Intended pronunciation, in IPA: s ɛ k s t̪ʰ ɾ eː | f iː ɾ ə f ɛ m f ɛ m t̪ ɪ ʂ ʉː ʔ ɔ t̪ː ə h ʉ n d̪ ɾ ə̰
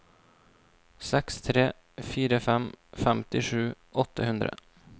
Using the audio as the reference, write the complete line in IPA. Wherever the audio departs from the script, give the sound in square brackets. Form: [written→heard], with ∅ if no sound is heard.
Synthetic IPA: s ɛ k s t̪ʰ ɾ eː | f iː ɾ ə f ɛ m f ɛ m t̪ ɪ ʂ ʉː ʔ ɔ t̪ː ə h ʉ n d̪ ɾ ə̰